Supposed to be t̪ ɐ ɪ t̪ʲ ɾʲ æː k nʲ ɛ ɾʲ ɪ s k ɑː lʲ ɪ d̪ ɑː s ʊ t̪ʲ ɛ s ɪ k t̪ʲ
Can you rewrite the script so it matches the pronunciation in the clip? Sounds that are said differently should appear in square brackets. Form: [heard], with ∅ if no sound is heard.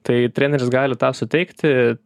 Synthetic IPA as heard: t̪ ɐ ɪ t̪ʲ ɾʲ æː [∅] nʲ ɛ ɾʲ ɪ s [ɡ] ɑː lʲ ɪ [t̪] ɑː s ʊ t̪ʲ ɛ [∅] ɪ k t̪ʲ